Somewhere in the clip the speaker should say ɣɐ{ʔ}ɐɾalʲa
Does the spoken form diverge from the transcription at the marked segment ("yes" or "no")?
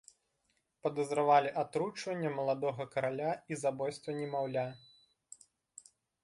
yes